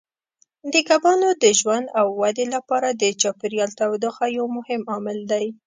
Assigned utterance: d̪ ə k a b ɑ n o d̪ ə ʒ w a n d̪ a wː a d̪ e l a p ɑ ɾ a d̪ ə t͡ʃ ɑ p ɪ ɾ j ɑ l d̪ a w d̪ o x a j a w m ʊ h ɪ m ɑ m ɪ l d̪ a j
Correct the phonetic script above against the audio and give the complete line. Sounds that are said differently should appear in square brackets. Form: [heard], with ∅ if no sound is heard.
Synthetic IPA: d̪ ə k a b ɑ n o d̪ ə ʒ w a n d̪ a wː a d̪ e l a p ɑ ɾ a d̪ ə t͡ʃ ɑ p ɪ ɾ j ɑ l [t̪] a w d̪ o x a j a w m ʊ h ɪ m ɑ m ɪ l d̪ a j